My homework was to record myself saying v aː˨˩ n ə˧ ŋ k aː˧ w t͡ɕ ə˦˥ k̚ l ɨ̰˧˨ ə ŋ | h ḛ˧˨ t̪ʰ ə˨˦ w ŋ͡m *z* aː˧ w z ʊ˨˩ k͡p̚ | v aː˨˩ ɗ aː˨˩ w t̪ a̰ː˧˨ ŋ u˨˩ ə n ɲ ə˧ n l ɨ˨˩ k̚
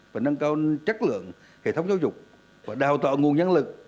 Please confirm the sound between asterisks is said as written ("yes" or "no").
yes